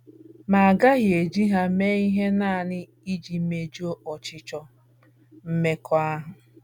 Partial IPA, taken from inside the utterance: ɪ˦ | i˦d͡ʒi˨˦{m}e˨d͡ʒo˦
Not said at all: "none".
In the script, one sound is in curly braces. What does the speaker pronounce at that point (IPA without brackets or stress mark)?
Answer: m